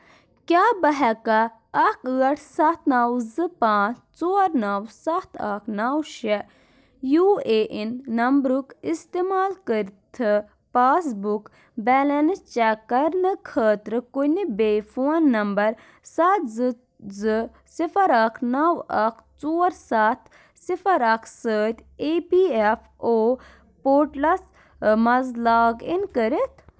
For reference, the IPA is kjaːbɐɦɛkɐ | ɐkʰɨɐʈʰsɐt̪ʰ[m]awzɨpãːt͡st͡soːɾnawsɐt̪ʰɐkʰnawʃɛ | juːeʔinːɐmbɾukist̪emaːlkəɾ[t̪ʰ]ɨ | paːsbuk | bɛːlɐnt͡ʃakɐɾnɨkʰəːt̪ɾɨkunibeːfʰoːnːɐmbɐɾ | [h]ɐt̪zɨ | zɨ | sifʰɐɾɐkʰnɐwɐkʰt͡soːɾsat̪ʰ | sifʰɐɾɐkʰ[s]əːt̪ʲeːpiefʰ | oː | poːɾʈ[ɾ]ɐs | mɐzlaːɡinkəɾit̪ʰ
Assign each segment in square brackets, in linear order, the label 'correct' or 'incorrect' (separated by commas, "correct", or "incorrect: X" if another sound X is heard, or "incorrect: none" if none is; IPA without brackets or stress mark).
incorrect: n, correct, incorrect: s, correct, incorrect: l